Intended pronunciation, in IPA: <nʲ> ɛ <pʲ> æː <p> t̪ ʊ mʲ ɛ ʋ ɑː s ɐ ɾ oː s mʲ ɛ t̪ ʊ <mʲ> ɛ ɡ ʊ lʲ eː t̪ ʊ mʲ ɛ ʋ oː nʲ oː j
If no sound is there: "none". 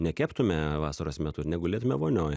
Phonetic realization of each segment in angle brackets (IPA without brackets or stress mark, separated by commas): nʲ, kʲ, p, nʲ